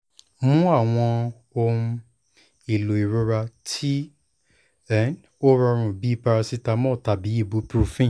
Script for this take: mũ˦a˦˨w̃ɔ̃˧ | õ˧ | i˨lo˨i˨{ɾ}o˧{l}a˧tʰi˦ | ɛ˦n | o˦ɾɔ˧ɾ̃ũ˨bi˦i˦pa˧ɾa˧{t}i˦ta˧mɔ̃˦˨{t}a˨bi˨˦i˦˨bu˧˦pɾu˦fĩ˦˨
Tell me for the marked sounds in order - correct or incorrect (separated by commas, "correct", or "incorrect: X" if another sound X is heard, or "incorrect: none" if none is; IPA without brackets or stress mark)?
correct, incorrect: ɾ, incorrect: s, correct